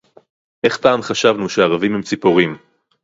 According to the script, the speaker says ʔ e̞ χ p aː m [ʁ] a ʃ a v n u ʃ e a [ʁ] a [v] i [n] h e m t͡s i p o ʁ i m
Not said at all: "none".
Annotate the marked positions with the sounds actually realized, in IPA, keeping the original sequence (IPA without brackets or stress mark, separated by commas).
χ, ʁ, v, m